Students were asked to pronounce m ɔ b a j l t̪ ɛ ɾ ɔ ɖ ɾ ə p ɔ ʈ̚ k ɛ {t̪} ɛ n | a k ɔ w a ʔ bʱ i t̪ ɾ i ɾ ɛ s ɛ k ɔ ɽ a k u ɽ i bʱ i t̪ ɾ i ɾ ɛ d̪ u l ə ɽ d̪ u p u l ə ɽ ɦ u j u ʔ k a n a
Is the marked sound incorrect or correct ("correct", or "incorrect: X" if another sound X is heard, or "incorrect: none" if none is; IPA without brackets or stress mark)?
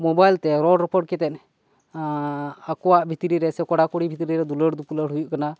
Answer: correct